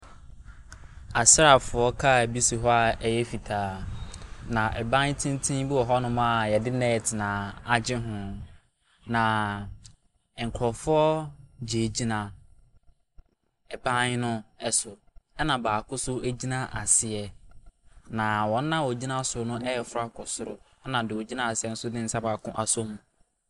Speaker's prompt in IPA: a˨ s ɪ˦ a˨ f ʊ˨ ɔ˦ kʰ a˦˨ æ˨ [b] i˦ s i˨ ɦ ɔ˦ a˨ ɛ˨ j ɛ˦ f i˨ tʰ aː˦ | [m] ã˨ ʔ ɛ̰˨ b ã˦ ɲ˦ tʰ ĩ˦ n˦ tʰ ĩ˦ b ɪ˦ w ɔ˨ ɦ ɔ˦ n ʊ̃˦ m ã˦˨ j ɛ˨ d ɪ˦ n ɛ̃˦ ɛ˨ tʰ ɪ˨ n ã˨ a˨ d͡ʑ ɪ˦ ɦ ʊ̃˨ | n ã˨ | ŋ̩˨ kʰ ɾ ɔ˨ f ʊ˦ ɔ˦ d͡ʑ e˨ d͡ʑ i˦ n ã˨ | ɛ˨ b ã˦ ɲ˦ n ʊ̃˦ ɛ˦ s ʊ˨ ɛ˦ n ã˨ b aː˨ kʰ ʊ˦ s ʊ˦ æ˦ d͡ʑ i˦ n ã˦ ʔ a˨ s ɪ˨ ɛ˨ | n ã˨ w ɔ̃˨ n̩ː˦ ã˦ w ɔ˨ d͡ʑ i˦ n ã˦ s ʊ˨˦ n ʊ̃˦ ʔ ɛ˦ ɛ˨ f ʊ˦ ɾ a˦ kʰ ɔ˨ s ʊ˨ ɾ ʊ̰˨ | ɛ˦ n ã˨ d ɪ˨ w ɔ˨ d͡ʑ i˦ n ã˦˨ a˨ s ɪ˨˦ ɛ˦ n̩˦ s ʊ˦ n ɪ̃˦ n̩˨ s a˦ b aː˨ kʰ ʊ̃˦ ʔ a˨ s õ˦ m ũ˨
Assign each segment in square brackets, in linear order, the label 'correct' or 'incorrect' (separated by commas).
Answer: correct, incorrect